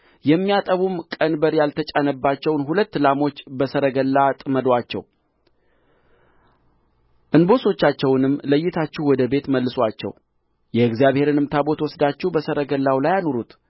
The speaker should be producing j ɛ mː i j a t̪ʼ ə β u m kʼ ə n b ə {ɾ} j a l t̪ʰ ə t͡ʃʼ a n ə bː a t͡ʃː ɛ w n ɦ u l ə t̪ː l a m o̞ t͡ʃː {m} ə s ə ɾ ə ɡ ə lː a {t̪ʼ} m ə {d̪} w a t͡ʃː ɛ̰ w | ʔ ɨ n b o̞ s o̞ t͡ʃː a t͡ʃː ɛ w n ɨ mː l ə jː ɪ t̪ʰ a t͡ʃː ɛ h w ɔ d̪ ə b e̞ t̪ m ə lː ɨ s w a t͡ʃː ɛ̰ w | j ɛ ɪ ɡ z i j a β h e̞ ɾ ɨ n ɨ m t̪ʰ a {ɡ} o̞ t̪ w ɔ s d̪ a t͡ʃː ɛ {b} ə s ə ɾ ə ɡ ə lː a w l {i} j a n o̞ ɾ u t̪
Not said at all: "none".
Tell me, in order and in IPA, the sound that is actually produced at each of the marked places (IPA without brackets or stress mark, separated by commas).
ɾ, b, t̪ʼ, d̪, b, b, a